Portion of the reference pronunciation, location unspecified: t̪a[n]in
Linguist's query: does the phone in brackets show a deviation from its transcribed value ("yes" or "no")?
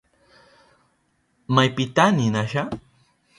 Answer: no